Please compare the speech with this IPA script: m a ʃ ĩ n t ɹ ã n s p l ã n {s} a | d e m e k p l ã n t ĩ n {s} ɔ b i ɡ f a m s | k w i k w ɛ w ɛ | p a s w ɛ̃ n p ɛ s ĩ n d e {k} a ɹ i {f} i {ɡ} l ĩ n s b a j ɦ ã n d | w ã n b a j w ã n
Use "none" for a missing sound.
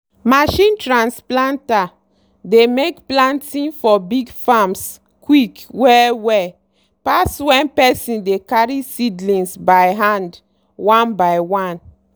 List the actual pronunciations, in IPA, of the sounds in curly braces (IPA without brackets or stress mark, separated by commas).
t, f, k, s, d